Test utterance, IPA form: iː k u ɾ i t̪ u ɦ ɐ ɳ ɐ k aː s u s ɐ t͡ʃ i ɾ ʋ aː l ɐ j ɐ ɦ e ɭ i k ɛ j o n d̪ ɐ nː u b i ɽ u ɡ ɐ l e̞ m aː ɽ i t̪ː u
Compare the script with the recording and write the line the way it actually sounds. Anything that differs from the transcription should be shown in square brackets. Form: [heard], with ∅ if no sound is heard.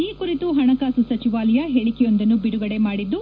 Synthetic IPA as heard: iː k u ɾ i t̪ u ɦ ɐ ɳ ɐ k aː s u s ɐ t͡ʃ i [∅] ʋ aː l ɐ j ɐ ɦ e ɭ i k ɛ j o n d̪ ɐ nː u b i ɽ u ɡ ɐ [ɽ] e̞ m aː ɽ i [d̪ː] u